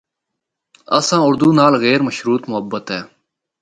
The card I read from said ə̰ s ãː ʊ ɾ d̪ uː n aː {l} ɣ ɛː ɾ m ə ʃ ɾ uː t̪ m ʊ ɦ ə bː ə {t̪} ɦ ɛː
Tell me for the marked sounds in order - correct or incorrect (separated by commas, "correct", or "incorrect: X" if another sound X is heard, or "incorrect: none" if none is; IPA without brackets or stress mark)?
correct, correct